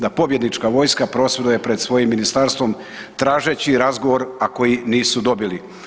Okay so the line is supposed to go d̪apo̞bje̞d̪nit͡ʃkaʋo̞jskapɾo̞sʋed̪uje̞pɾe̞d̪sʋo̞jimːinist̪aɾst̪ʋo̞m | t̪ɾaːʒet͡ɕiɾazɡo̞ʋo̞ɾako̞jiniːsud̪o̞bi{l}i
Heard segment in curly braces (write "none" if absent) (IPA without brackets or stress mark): l